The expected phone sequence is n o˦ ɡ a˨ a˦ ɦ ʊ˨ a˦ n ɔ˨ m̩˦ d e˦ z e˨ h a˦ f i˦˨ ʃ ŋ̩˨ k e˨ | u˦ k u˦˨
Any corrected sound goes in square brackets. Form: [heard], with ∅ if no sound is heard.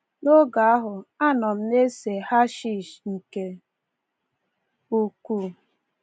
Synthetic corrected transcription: n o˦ ɡ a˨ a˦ ɦ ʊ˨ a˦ n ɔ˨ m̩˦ [n] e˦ [s] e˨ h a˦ [ʃ] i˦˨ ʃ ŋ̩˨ k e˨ | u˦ k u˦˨